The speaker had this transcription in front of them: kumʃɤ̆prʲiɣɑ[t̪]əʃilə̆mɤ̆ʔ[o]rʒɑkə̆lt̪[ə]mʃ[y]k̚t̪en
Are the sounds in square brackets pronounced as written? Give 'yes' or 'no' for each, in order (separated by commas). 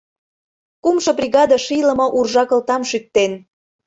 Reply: no, no, no, yes